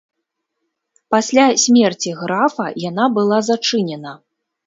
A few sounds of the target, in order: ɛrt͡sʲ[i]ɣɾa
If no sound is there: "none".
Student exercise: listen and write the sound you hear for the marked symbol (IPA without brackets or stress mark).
i